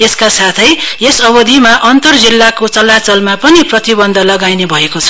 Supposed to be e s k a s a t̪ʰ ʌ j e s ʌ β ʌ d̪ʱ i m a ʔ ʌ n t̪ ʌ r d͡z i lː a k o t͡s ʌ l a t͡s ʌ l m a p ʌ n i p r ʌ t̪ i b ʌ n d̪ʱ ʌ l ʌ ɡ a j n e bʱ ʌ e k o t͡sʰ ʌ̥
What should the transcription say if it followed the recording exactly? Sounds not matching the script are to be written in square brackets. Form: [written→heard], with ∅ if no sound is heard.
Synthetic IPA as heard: e s k a s a t̪ʰ ʌ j e s ʌ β ʌ d̪ʱ i m a ʔ ʌ n t̪ ʌ r d͡z i lː a k o t͡s ʌ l a t͡s ʌ l m a p ʌ n i p r ʌ t̪ i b ʌ n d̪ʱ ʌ l ʌ ɡ a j n e bʱ ʌ e k o t͡sʰ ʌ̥